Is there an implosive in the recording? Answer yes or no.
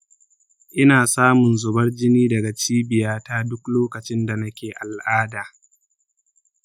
no